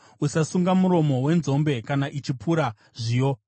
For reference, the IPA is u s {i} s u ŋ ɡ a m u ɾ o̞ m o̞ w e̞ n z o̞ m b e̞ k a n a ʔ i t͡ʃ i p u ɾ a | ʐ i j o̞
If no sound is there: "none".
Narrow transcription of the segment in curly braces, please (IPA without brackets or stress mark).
a